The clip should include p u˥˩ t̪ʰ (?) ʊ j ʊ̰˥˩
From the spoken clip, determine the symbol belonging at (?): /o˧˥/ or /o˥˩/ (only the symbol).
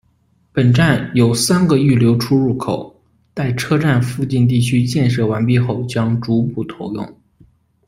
o˧˥